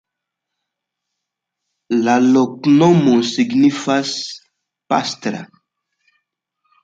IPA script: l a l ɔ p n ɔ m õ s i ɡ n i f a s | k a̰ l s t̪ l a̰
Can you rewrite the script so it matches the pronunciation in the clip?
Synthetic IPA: l a l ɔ k n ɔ m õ s i ɡ n i f a s | p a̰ s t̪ ɾ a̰